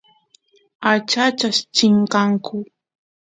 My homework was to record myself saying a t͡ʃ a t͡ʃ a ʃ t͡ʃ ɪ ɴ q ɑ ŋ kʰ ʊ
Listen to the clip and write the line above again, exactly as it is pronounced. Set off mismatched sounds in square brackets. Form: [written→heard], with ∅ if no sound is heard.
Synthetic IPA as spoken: a t͡ʃ a t͡ʃ a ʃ t͡ʃ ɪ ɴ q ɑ ŋ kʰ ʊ